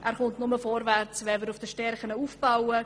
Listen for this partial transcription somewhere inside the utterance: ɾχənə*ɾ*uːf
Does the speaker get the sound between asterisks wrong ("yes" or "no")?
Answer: yes